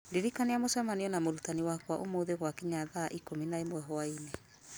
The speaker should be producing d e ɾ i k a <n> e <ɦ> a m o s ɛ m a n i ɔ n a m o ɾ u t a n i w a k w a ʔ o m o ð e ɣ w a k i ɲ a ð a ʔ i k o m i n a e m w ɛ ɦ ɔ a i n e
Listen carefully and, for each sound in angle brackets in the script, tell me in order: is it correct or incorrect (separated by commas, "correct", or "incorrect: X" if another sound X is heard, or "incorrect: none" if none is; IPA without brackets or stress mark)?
correct, incorrect: none